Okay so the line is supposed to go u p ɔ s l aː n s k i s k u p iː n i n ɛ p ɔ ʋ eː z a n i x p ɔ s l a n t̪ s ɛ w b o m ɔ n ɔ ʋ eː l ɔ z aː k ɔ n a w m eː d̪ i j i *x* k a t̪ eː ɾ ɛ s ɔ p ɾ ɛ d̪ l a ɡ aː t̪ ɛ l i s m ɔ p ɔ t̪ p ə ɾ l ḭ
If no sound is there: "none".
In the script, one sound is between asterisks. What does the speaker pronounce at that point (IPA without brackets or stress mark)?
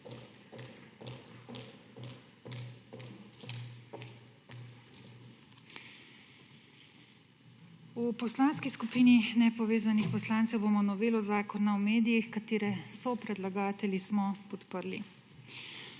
x